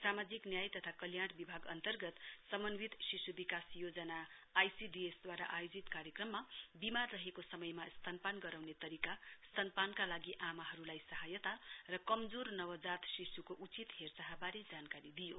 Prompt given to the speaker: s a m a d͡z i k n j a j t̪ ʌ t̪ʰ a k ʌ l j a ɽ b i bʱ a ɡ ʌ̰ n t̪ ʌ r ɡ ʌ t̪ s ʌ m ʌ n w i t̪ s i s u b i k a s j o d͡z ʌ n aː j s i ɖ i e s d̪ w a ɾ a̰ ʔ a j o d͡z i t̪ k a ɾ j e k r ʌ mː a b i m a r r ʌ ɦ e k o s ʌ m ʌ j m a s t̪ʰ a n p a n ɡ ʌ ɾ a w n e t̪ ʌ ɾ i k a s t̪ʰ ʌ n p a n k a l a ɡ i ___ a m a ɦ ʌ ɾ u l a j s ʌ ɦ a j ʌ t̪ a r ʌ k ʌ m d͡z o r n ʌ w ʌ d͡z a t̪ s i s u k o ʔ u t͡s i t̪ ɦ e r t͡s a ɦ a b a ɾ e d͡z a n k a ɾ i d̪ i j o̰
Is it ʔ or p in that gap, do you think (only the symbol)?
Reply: ʔ